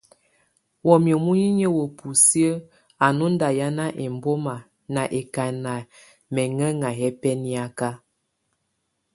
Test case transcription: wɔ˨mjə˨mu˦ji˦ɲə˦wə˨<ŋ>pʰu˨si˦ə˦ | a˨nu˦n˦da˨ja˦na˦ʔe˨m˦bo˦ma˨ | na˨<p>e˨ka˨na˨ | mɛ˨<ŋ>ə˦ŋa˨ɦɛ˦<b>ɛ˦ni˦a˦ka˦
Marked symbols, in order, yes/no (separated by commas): no, no, yes, no